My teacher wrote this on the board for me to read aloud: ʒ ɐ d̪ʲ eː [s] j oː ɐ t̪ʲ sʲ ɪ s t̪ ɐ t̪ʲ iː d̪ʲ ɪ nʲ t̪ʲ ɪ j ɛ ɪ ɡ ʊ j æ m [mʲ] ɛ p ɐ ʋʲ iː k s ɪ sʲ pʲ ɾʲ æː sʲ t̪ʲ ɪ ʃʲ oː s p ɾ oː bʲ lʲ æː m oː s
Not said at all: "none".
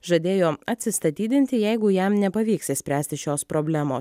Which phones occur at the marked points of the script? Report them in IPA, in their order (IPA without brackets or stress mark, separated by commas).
none, nʲ